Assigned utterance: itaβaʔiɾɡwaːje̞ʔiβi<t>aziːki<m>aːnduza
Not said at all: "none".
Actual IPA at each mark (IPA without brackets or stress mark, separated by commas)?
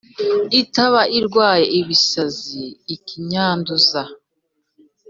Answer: s, ɲ